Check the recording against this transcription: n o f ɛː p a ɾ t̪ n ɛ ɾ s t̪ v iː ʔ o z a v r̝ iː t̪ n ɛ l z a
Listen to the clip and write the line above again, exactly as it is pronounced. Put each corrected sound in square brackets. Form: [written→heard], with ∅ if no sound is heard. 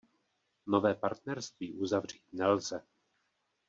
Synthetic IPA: n o [f→v] ɛː p a ɾ t̪ n ɛ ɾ s t̪ v iː ʔ [o→u] z a v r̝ iː t̪ n ɛ l z [a→ɛ]